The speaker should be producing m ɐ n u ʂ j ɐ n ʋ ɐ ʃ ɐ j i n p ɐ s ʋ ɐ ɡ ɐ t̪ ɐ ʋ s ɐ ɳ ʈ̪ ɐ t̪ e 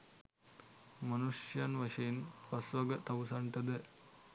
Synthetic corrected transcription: m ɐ n u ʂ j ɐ n ʋ ɐ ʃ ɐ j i n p ɐ s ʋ ɐ ɡ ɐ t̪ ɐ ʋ s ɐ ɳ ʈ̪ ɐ d̪ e